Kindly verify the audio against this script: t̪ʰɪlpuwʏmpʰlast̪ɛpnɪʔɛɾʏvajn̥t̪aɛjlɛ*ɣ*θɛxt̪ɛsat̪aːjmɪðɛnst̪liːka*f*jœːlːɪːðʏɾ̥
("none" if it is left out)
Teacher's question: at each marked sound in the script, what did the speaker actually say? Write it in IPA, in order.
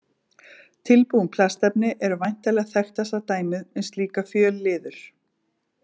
ɣ, f

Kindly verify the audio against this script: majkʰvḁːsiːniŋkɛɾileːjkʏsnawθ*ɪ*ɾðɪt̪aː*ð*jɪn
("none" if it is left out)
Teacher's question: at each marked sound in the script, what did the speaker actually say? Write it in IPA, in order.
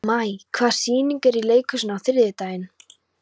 ɪ, none

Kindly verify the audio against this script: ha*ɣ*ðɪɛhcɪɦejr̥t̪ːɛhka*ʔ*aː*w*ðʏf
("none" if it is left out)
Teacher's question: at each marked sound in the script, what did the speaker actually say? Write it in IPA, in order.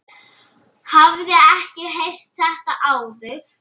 v, ʔ, w

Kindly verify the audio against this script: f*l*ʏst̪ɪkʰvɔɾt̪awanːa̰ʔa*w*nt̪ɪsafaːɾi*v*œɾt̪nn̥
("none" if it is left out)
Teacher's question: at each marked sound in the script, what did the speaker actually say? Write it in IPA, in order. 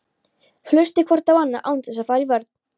l, w, v

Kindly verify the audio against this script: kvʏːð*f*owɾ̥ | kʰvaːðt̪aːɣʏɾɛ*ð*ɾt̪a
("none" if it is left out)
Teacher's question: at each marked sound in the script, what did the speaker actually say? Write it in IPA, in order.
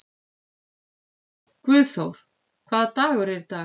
θ, none

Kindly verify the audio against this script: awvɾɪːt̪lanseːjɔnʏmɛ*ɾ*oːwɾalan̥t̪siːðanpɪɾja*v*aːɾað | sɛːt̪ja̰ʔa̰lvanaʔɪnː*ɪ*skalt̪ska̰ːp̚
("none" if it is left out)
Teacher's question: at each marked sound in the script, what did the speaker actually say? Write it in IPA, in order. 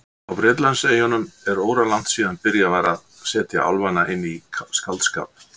ɾ, v, i

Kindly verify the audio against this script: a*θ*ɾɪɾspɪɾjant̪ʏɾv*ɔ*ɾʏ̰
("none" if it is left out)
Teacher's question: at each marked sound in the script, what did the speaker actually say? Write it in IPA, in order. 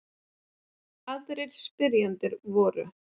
ð, ɔː

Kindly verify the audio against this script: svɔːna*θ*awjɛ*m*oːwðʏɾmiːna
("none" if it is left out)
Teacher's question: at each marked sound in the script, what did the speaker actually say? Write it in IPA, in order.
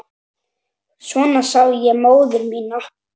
s, m

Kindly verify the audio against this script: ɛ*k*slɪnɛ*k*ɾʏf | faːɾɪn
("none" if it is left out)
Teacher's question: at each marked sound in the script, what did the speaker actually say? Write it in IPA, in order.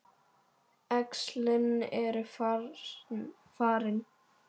k, none

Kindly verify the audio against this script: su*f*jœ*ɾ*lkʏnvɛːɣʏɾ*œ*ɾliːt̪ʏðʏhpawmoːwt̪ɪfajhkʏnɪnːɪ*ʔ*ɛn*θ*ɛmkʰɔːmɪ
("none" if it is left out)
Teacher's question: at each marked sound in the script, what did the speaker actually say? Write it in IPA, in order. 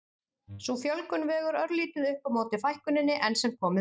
f, none, œ, ʔ, s

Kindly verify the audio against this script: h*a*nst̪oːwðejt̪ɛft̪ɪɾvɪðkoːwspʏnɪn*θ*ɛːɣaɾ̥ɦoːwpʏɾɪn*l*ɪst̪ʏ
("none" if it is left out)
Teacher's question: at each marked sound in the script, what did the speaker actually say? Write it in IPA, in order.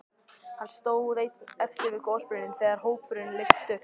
a, θ, l

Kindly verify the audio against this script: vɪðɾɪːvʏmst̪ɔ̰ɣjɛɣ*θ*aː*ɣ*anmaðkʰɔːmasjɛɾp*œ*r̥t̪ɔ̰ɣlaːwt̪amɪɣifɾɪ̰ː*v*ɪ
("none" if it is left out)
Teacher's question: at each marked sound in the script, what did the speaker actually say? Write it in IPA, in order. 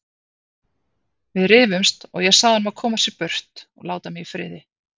s, ð, œ, ð

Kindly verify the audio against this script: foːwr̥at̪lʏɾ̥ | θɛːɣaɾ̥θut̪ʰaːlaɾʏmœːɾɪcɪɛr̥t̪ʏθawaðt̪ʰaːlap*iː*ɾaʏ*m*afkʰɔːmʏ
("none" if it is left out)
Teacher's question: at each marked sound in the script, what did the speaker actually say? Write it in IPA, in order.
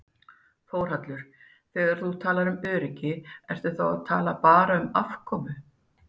aː, m

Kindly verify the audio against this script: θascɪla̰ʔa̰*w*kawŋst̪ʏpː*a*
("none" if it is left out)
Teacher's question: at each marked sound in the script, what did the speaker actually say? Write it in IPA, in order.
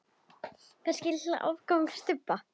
v, a

